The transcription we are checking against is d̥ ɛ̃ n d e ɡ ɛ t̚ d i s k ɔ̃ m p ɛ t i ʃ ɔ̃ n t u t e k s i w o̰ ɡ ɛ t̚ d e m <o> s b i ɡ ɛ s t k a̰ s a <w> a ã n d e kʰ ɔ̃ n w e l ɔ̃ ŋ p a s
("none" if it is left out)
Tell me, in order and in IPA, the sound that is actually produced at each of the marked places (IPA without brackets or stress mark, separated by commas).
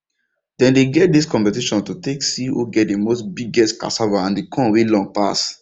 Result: o, v